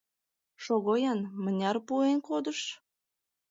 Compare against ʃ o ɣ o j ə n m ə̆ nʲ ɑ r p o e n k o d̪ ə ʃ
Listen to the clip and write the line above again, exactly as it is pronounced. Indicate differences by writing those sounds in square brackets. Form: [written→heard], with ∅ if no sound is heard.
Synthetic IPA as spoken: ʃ o ɣ o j [ə→ɑ] n m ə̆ nʲ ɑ r p [o→u] e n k o d̪ ə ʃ